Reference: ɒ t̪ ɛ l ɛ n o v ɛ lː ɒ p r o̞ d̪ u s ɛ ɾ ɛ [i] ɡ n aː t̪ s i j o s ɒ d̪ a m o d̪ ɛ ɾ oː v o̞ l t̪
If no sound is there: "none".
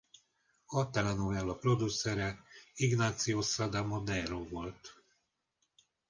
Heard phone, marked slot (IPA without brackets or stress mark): i